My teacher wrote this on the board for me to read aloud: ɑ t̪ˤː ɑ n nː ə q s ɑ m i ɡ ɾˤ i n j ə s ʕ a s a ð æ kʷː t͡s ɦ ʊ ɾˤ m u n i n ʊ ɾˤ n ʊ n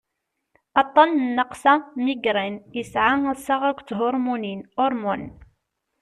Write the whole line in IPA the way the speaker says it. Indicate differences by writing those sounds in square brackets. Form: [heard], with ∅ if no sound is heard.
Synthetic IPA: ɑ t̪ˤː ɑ n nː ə q s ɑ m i ɡ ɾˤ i n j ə s ʕ a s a [ʁ] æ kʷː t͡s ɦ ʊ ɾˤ m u n i n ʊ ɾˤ [m] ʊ n